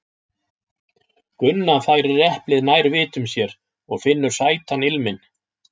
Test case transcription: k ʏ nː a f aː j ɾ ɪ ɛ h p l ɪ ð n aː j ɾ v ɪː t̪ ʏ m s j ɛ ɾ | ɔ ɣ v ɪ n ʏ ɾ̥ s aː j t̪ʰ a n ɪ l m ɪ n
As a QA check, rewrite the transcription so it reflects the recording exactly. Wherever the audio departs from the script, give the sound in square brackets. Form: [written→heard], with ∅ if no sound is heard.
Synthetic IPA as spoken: k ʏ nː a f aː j ɾ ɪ ɛ h p l ɪ ð n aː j ɾ v ɪː t̪ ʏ m s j ɛ ɾ | ɔ ɣ [v→f] ɪ [n→nː] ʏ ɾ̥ s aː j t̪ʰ a n ɪ l m ɪ n